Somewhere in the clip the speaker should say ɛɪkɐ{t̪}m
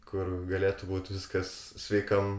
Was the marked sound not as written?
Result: yes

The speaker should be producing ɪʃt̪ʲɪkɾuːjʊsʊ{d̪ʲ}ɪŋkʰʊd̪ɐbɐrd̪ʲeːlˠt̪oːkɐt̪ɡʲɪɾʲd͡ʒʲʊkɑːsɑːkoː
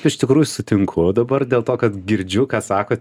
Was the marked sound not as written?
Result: yes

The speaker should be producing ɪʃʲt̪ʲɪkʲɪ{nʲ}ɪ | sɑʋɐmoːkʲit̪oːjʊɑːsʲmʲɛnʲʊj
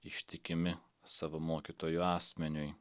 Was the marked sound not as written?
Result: yes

